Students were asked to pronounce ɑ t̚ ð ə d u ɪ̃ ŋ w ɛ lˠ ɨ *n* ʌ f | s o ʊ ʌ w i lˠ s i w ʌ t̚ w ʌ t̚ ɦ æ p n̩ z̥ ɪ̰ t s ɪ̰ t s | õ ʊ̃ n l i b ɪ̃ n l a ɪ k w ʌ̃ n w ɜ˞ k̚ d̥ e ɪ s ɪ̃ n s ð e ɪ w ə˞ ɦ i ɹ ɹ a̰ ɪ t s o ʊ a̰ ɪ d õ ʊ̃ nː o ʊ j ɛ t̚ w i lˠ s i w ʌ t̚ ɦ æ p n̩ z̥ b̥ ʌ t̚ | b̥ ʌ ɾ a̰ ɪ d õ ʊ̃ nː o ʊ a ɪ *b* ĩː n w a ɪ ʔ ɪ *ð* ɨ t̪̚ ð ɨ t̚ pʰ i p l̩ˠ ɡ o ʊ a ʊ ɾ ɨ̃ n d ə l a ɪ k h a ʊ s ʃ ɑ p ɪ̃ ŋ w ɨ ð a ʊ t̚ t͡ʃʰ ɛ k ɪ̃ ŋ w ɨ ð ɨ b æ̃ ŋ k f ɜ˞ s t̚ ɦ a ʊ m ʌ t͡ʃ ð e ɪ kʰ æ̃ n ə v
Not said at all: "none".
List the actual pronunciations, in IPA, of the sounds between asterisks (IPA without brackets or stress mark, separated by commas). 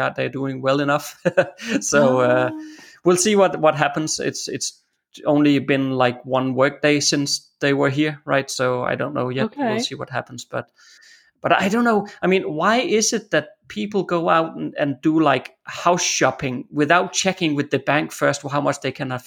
n, m, z